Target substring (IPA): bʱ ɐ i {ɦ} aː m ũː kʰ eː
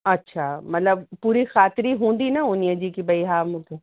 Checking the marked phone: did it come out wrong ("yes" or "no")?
no